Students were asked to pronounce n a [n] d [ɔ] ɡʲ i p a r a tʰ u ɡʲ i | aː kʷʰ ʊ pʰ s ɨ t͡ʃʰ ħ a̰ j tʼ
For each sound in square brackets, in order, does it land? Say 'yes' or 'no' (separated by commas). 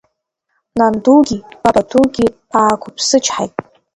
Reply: yes, no